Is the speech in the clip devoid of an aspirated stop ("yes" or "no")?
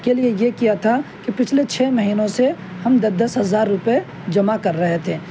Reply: no